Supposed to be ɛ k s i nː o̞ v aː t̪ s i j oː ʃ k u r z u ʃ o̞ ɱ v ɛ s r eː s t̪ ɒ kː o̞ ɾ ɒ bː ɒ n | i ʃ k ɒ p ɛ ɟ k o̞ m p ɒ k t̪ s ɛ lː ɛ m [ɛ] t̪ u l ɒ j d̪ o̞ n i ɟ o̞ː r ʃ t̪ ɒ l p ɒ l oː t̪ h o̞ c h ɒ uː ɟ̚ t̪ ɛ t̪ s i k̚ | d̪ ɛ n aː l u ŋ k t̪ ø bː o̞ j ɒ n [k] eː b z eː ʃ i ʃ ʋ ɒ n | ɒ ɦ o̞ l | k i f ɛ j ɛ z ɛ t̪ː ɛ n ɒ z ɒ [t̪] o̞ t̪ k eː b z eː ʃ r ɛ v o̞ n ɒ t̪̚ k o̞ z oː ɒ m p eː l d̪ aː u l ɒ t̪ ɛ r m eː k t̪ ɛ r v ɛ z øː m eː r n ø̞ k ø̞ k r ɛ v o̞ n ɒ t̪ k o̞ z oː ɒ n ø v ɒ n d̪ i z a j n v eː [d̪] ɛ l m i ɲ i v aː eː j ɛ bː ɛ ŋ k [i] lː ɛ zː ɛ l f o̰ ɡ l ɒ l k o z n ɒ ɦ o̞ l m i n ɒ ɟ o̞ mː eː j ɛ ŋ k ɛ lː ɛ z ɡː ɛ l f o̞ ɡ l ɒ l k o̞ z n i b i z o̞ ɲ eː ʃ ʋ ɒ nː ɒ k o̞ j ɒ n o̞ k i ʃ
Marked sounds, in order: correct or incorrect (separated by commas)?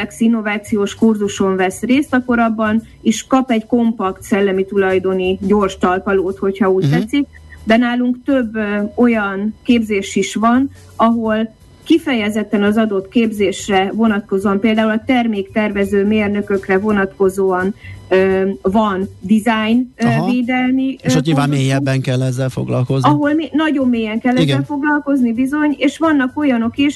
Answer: incorrect, correct, incorrect, correct, incorrect